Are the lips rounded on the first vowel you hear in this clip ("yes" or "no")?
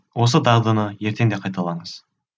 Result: yes